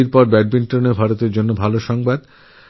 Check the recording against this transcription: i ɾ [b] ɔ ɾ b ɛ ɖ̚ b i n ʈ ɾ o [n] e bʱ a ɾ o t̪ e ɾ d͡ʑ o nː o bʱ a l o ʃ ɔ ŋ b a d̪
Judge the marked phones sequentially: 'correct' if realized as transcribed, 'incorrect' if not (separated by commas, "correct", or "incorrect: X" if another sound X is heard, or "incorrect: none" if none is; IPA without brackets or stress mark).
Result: incorrect: p, correct